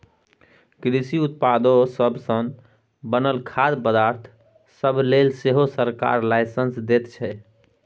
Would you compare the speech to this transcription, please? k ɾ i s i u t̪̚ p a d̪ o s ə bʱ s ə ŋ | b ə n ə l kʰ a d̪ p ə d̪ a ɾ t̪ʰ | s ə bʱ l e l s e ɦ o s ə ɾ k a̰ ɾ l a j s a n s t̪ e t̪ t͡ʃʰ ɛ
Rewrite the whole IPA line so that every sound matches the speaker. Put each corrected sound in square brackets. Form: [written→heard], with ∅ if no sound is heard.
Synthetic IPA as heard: k ɾ i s i u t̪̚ p a d̪ o s ə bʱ s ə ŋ | b ə n ə l kʰ a d̪ p ə d̪ a ɾ t̪ʰ | s ə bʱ l e l s e ɦ o s ə ɾ k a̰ ɾ l a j s [a→ə] n s [t̪→d̪] e t̪ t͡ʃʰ ɛ